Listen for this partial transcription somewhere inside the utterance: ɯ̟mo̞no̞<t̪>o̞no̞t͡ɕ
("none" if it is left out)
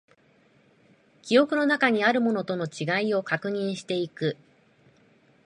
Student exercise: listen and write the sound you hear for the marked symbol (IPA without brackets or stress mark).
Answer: t̪